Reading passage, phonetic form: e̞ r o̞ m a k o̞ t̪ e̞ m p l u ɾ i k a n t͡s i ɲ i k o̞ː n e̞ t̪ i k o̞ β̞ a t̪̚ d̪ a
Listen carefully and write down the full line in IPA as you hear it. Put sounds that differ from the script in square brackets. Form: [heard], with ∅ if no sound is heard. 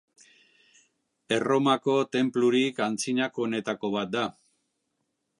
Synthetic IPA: e̞ r o̞ m a k o̞ t̪ e̞ m p l u ɾ i k a n t͡s i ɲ [a] k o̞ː n e̞ t̪ [a] k o̞ β̞ a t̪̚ d̪ a